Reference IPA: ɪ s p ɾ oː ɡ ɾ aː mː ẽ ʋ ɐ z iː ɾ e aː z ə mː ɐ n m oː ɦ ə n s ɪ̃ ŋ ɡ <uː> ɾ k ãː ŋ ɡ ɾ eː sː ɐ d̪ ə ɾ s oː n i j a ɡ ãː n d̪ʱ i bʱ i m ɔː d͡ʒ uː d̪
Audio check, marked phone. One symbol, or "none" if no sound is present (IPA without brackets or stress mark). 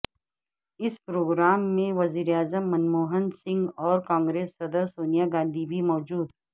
ɔː